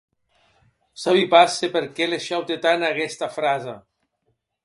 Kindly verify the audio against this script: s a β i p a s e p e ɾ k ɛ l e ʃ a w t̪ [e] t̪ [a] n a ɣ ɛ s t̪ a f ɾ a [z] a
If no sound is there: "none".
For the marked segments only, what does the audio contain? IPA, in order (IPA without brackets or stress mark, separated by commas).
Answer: e, a, z